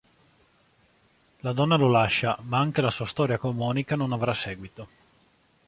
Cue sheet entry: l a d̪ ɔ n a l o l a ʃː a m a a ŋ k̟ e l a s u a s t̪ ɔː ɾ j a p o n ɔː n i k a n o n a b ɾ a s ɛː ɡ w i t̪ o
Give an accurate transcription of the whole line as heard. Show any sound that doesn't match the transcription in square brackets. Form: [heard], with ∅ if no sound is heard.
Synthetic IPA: l a d̪ ɔ [nː] a l o l a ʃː a m a a ŋ k̟ e l a s u a s t̪ ɔː ɾ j a [k] o [m] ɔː n i k a n o n a [v] ɾ a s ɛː ɡ w i t̪ o